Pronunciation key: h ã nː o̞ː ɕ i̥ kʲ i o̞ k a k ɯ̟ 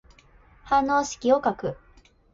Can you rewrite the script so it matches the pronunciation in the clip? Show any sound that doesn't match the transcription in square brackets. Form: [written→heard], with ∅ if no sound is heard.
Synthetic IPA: h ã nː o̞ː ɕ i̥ kʲ i o̞ k a k ɯ̟